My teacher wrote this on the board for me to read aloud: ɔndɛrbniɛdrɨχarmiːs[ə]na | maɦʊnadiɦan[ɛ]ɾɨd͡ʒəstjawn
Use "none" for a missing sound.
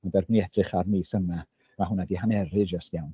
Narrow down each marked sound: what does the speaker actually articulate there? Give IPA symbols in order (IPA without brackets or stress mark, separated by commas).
ə, ɛ